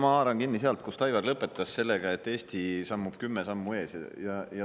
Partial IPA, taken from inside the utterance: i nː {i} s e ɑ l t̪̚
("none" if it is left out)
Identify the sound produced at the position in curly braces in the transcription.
i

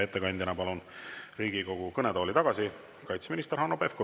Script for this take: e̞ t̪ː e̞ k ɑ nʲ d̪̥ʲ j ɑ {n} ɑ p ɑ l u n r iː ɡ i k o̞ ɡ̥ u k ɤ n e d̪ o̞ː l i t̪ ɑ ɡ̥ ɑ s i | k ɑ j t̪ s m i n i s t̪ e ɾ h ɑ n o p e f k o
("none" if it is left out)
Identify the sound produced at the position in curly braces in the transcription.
n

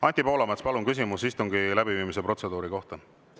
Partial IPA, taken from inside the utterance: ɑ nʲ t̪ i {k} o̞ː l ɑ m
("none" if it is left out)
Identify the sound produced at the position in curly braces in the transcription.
p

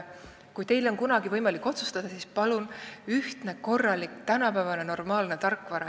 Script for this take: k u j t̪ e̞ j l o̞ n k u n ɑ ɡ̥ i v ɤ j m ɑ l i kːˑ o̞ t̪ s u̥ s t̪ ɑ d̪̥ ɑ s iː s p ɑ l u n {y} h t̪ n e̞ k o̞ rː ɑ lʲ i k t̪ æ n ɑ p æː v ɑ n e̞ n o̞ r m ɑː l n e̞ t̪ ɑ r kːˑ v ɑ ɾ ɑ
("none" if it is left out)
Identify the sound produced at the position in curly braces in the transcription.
y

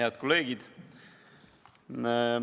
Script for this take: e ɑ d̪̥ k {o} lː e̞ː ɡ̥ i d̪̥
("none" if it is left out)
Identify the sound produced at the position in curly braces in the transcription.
o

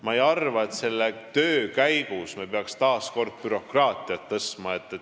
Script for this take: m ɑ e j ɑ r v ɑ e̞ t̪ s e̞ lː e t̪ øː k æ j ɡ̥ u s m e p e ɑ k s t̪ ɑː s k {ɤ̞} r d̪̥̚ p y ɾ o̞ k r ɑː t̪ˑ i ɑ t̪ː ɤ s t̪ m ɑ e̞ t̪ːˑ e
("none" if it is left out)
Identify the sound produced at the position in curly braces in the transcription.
o̞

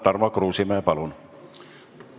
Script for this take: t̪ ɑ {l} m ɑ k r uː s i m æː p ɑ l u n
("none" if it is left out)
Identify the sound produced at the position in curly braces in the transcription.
r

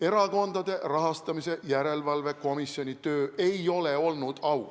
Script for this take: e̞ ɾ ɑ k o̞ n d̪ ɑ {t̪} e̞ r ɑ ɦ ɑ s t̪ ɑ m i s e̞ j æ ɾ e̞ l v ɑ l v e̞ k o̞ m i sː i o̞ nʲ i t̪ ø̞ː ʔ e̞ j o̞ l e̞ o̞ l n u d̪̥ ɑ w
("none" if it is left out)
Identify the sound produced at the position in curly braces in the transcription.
d̪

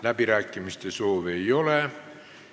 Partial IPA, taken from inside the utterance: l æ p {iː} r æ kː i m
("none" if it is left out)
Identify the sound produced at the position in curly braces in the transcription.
i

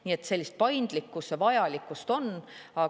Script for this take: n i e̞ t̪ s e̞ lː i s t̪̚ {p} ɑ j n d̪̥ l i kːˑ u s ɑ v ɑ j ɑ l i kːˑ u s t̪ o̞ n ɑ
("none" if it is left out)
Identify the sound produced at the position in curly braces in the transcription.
p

